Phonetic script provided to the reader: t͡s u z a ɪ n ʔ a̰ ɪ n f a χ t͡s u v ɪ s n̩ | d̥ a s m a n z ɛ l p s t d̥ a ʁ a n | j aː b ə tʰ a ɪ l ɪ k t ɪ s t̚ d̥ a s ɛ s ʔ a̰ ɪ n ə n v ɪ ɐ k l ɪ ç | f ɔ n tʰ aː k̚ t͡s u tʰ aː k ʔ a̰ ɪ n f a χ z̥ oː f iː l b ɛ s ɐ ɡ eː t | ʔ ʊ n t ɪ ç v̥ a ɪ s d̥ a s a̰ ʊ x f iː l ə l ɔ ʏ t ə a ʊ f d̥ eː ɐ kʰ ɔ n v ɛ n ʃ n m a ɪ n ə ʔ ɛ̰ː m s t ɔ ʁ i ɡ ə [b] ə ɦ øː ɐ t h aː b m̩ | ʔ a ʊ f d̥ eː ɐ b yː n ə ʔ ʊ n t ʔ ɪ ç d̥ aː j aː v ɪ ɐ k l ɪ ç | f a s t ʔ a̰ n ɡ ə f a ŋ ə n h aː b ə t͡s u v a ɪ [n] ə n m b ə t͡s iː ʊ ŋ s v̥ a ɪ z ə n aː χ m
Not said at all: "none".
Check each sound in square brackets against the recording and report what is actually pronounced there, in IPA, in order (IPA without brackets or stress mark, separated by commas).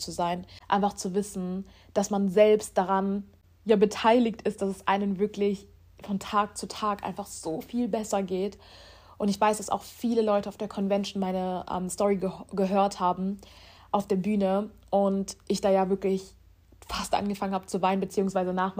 ɡ, n